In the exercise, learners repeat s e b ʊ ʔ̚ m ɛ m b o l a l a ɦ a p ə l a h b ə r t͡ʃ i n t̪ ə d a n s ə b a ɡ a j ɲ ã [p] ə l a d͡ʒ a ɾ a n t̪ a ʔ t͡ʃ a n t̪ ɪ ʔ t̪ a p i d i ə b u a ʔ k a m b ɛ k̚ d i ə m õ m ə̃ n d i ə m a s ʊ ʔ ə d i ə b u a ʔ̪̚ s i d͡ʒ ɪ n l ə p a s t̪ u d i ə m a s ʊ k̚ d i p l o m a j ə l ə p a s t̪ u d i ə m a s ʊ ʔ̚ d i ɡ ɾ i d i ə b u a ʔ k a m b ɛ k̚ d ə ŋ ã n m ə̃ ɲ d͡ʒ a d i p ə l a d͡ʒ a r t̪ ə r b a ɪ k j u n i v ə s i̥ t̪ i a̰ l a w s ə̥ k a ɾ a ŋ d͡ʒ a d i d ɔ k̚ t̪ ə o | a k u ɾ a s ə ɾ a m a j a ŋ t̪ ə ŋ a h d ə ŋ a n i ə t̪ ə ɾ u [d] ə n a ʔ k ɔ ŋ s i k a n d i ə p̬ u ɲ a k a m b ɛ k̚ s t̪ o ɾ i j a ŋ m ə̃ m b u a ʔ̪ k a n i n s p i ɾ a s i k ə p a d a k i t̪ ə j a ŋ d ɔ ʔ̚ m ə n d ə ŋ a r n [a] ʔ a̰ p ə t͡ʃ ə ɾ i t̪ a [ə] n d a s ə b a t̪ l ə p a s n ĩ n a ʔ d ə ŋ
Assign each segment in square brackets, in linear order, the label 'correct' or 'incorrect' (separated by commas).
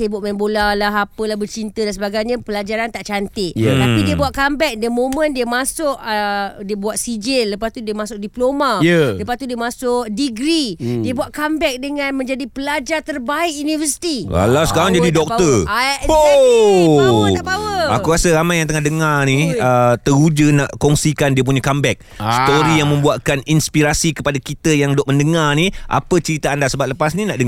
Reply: correct, incorrect, incorrect, incorrect